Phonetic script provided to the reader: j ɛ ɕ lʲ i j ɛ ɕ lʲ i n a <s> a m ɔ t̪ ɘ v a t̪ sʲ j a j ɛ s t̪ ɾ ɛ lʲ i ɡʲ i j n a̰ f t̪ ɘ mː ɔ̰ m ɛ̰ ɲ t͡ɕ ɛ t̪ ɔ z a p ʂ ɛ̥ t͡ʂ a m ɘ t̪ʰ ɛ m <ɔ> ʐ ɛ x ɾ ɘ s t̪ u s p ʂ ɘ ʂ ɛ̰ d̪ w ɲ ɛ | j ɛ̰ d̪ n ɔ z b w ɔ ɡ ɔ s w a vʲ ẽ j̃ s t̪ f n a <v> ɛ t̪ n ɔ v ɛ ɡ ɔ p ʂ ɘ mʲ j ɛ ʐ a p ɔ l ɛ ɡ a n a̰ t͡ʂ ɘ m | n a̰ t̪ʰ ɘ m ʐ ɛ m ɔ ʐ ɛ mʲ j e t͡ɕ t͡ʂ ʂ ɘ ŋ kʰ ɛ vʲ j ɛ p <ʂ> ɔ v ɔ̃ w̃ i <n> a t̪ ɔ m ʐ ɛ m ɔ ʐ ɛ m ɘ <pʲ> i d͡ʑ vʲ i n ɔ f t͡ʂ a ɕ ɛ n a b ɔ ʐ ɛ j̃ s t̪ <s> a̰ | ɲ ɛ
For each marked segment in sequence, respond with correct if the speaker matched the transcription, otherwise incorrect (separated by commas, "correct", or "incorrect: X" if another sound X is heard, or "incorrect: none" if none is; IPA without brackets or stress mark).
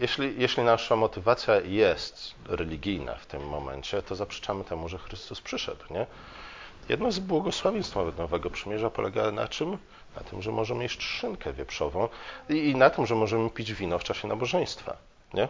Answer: incorrect: ʂ, incorrect: u, correct, correct, correct, correct, incorrect: f